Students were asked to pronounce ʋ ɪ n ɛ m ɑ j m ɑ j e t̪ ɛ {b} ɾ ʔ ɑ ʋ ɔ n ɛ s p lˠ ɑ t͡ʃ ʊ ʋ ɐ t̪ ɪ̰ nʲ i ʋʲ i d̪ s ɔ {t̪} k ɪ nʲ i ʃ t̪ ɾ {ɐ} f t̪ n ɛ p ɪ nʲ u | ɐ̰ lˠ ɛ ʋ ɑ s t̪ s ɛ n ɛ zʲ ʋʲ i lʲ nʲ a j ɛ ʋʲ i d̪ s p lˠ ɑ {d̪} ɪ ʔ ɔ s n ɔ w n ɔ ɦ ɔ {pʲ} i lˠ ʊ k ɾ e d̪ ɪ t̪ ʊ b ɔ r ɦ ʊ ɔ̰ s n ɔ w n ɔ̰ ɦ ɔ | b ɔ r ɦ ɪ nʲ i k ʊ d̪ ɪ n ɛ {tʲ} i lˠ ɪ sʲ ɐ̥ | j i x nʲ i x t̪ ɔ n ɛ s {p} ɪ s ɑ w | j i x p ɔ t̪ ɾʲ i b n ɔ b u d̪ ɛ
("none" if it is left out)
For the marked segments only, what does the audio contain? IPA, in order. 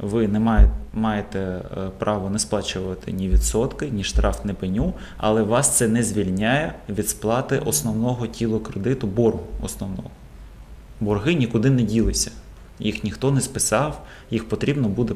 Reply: p, t̪, ɑ, t̪, tʲ, dʲ, p

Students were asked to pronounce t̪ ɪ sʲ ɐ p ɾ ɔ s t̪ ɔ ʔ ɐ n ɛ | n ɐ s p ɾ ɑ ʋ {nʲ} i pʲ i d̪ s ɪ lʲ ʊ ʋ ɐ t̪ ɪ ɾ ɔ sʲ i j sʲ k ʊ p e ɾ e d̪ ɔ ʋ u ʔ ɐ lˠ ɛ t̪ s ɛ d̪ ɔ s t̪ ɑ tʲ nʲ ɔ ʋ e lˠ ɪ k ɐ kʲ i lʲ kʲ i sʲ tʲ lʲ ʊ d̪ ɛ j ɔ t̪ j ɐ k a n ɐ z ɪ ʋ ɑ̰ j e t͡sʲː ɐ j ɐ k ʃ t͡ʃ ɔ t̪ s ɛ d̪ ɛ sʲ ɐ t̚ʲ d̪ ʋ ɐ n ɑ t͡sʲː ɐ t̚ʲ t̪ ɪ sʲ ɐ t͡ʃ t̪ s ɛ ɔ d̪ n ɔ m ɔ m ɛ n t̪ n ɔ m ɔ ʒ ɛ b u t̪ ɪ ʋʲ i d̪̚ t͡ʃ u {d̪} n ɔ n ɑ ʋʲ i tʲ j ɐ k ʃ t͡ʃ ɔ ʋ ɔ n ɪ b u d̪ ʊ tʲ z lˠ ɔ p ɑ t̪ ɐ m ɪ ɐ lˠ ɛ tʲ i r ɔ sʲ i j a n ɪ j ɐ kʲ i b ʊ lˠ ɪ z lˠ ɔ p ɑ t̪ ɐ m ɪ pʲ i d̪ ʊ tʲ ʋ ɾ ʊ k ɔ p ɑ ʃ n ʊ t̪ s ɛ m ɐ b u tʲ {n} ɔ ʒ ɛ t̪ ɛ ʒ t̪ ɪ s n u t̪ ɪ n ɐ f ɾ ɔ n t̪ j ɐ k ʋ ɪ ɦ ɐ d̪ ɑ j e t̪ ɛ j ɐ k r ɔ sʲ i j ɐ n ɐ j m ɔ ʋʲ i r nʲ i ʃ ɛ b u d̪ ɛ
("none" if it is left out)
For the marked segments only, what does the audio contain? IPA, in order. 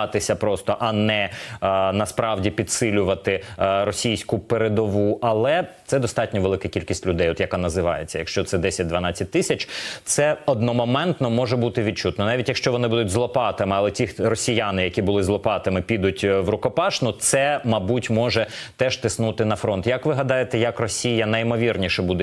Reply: dʲ, t̪, m

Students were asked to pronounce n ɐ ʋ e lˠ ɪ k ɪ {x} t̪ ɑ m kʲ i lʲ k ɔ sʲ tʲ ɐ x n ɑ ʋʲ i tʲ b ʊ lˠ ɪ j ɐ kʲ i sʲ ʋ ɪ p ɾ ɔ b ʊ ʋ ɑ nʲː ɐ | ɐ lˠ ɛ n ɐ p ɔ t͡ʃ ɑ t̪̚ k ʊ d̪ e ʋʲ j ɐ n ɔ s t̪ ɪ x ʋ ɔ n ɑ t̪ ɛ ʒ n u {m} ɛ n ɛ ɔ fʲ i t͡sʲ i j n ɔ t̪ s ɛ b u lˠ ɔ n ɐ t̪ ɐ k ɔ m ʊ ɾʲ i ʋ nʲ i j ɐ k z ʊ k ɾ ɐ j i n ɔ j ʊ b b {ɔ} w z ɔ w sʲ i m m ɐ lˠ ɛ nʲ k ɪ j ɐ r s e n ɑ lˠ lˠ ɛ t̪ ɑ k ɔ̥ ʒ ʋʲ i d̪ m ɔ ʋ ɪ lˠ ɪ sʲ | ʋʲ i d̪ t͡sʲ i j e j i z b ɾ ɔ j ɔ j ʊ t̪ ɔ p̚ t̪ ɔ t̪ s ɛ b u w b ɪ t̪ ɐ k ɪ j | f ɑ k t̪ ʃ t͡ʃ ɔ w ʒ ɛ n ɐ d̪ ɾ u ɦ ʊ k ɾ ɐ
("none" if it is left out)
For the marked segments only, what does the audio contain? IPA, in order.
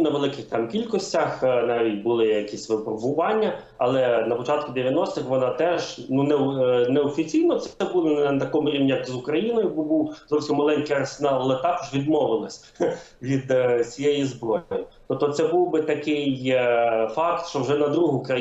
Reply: x, n, u

